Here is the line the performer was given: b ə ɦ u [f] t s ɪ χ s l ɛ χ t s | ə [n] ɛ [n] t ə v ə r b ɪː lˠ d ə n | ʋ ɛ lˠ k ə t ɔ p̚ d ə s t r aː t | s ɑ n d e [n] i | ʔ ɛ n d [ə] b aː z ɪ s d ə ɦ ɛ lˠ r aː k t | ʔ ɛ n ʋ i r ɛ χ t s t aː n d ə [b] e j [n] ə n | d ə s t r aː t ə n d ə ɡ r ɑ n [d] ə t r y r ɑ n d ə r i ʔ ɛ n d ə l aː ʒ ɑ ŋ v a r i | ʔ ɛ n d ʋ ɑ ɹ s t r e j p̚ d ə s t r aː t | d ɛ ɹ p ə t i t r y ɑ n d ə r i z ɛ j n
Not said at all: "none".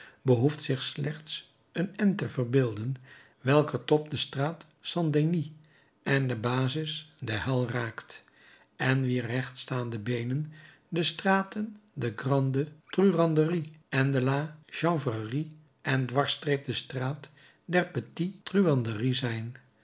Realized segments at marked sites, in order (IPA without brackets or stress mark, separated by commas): f, n, n, n, ə, b, n, d